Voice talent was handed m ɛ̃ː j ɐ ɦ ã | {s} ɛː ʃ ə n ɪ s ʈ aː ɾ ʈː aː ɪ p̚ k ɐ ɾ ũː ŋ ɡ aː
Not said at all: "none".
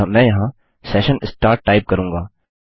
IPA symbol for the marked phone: s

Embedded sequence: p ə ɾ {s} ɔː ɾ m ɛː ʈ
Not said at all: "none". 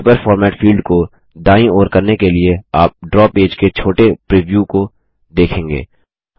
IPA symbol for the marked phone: f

